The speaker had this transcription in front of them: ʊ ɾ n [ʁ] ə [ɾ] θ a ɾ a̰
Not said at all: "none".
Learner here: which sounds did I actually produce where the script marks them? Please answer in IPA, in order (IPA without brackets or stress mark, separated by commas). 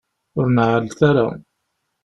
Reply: ʕ, l